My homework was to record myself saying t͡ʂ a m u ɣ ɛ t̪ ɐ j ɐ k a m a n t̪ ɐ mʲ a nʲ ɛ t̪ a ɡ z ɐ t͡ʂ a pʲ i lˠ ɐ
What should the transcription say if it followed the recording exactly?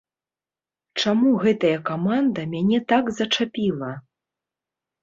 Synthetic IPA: t͡ʂ a m u ɣ ɛ t̪ ɐ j ɐ k a m a n d̪ ɐ mʲ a nʲ ɛ t̪ a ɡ z ɐ t͡ʂ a pʲ i lˠ ɐ